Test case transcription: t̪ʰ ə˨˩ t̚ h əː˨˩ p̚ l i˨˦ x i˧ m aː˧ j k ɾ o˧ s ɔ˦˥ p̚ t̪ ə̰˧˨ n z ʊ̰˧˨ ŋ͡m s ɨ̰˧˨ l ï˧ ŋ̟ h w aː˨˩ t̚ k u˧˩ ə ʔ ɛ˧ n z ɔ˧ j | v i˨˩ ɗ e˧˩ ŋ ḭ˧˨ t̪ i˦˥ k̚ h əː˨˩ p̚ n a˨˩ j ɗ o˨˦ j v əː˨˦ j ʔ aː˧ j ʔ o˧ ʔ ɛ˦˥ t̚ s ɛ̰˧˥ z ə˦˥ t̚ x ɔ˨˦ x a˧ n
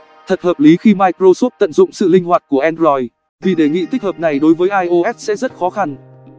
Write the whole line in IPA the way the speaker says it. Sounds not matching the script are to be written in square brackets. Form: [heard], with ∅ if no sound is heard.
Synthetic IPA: t̪ʰ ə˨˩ t̚ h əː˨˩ p̚ l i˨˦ x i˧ m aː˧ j k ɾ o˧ s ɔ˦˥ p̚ t̪ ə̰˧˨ n z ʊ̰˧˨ ŋ͡m s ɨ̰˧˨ l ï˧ ŋ̟ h w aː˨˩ t̚ k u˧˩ ə ʔ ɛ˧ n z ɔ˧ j | v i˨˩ ɗ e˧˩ ŋ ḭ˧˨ t̪ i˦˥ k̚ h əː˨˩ p̚ n a˨˩ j ɗ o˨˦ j v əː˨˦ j ʔ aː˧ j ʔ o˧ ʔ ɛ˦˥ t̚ s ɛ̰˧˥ z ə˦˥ t̚ x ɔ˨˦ x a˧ n